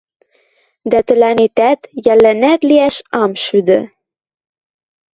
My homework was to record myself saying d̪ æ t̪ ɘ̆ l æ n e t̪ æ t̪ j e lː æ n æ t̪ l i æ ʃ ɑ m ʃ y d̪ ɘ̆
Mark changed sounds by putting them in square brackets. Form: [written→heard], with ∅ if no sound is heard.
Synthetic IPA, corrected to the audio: d̪ æ t̪ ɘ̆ l æ n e t̪ æ t̪ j [e→æ] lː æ n æ t̪ l i æ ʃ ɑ m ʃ y d̪ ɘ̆